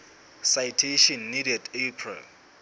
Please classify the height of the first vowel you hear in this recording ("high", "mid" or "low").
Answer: low